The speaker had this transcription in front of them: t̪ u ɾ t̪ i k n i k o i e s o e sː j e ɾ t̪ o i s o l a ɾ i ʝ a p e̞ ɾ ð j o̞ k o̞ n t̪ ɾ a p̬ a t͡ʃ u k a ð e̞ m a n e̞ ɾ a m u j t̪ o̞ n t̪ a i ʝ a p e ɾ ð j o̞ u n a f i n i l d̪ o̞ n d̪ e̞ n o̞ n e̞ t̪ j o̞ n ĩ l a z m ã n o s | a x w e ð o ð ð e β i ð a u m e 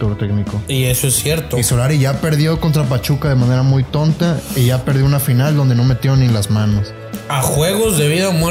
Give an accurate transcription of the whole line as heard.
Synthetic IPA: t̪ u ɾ t̪ e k n i k o i e s o e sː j e ɾ t̪ o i s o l a ɾ i ʝ a p e̞ ɾ ð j o̞ k o̞ n t̪ ɾ a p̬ a t͡ʃ u k a ð e̞ m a n e̞ ɾ a m u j t̪ o̞ n t̪ a i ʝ a p e ɾ ð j o̞ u n a f i n a l d̪ o̞ n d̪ e̞ n o̞ m e̞ t̪ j o̞ n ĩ l a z m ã n o s | a x w e ɣ o z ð e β i ð a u m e